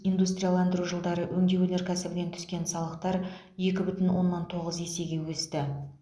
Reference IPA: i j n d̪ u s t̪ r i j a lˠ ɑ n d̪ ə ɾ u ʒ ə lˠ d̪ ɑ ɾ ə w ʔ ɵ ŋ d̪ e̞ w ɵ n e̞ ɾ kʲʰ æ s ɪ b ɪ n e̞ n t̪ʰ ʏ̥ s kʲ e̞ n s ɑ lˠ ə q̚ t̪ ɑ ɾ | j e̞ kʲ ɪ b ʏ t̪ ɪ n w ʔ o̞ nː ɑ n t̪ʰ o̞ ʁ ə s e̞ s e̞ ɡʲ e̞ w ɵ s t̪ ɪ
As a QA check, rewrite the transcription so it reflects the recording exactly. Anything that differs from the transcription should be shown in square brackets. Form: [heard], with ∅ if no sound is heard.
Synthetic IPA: i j n d̪ u s t̪ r i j a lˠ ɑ n d̪ ə ɾ u ʒ ə lˠ d̪ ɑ ɾ ə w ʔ ɵ ŋ d̪ e̞ w ɵ n e̞ ɾ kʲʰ æ s ɪ b ɪ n e̞ n t̪ʰ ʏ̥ s kʲ e̞ n s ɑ lˠ ə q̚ t̪ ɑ ɾ | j e̞ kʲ ɪ b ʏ t̪ ɪ n w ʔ o̞ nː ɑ n t̪ʰ o̞ ʁ ə [z] e̞ s e̞ ɡʲ e̞ w ɵ s t̪ ɪ